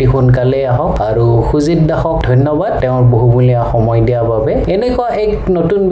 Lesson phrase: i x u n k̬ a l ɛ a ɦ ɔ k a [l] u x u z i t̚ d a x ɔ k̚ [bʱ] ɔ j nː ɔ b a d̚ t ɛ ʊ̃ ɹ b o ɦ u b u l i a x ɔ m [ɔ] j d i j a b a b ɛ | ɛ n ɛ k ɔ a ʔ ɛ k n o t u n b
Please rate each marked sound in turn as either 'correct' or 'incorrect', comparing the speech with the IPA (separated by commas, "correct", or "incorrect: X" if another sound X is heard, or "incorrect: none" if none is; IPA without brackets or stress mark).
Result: incorrect: ɹ, incorrect: dʱ, correct